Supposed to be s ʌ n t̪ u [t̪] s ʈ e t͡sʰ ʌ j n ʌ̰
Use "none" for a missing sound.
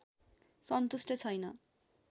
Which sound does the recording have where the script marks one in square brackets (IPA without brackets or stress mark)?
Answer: none